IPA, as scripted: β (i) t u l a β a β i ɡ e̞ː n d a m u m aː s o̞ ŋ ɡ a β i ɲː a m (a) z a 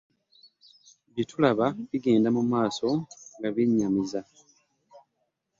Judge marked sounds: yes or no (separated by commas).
yes, no